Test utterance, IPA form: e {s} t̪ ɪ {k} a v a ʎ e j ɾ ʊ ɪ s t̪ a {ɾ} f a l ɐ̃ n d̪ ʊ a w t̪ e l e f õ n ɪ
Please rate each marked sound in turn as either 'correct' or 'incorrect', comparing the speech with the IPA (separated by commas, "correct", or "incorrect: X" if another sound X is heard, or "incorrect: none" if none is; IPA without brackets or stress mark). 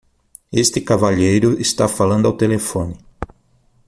correct, correct, incorrect: none